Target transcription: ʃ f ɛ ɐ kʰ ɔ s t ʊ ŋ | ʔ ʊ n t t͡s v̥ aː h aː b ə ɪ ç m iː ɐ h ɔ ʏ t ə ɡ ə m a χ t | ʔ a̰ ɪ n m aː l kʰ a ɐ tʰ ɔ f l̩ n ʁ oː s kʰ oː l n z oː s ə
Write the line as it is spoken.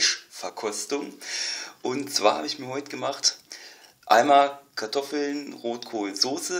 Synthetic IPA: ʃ f ɛ ɐ kʰ ɔ s t ʊ ŋ | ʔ ʊ n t t͡s v̥ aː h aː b ə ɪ ç m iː ɐ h ɔ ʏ t ə ɡ ə m a χ t | ʔ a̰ ɪ n m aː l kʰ a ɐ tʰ ɔ f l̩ n ʁ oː t kʰ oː l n z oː s ə